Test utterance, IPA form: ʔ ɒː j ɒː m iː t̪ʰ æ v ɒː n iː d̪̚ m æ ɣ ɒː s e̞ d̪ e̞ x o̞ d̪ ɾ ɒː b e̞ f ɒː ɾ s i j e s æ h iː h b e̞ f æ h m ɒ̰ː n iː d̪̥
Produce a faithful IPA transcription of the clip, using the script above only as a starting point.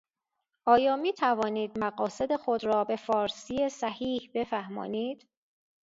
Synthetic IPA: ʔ ɒː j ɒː m iː t̪ʰ æ v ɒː n iː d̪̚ m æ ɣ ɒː s e̞ d̪ e̞ x o̞ d̪ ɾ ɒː b e̞ f ɒː ɾ s i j e s æ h iː h b e̞ f æ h m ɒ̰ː n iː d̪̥

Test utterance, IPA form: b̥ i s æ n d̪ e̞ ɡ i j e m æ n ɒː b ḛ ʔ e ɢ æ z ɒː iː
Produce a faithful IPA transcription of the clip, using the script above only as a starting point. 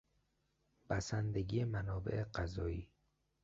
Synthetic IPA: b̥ æ s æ n d̪ e̞ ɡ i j e m æ n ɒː b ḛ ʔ e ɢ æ z ɒː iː

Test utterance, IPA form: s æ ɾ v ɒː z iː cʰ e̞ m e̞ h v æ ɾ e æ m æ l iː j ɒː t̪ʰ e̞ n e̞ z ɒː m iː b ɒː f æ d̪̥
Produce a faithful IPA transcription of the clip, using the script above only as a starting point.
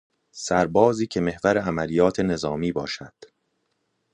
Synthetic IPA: s æ ɾ b ɒː z iː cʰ e̞ m e̞ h v æ ɾ e æ m æ l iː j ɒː t̪ʰ e̞ n e̞ z ɒː m iː b ɒː ʃ æ d̪̥

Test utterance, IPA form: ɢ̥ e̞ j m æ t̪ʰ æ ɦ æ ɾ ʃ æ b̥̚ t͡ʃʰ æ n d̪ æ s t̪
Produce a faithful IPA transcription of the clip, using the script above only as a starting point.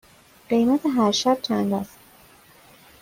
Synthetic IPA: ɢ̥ e̞ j m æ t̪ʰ e ɦ æ ɾ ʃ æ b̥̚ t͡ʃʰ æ n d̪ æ s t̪

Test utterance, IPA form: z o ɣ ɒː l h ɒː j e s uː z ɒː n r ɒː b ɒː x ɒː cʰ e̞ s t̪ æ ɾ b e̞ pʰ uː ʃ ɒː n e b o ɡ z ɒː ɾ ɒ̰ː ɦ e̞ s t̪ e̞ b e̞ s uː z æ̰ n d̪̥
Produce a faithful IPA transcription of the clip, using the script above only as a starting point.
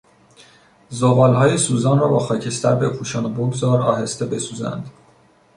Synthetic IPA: z o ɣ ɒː l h ɒː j e s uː z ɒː n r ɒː b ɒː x ɒː cʰ e̞ s t̪ æ ɾ b e̞ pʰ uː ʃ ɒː n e b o ɡ z ɒː ɾ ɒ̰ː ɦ e̞ s t̪ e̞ b e̞ s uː z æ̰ n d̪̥

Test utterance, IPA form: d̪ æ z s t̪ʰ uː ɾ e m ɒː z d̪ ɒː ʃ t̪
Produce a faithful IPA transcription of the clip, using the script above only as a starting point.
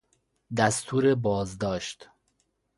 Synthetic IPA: d̪ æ s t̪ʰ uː ɾ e b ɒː z d̪ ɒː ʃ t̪

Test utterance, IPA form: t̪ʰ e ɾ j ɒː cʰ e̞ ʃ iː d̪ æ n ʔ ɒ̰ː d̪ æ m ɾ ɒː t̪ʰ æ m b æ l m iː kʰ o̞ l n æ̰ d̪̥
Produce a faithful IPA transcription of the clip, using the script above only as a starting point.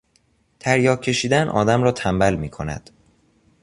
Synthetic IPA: t̪ʰ æ ɾ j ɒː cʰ e̞ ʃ iː d̪ æ n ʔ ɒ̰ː d̪ æ m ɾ ɒː t̪ʰ æ m b æ l m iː kʰ o̞ n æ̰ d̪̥

